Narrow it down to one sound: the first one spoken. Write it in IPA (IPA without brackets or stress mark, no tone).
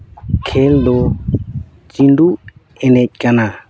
kʰ